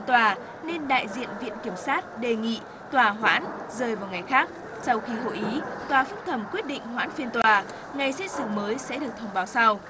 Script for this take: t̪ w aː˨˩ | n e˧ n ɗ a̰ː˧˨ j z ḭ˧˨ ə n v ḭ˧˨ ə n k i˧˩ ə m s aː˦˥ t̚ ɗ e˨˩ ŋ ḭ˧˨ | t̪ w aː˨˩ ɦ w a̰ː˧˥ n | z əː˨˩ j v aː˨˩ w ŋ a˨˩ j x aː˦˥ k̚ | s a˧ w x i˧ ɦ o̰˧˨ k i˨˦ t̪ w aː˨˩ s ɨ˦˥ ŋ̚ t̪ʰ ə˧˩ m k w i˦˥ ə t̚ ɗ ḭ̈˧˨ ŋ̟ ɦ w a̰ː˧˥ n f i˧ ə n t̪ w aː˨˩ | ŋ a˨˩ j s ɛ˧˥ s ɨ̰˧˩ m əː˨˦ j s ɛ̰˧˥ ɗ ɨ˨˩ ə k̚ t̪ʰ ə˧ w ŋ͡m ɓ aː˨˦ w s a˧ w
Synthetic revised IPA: t̪ w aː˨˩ | n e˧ n ɗ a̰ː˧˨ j z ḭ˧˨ ə n v ḭ˧˨ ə n k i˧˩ ə m s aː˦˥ t̚ ɗ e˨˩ ŋ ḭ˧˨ | t̪ w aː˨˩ ɦ w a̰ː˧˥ n | z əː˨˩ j v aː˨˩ w ŋ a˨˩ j x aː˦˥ k̚ | s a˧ w x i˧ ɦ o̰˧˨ ʔ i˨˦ t̪ w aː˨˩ f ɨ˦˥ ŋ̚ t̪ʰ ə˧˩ m k w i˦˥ ə t̚ ɗ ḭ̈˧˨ ŋ̟ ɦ w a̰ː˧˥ n f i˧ ə n t̪ w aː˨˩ | ŋ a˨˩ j s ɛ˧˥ s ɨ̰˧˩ m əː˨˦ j s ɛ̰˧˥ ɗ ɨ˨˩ ə k̚ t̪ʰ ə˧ w ŋ͡m ɓ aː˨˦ w s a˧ w